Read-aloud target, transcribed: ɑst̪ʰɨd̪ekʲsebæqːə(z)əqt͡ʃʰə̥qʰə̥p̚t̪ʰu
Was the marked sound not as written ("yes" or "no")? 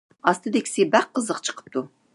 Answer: no